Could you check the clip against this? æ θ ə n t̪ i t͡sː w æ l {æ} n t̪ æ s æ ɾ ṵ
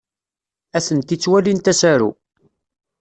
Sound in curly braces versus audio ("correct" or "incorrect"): incorrect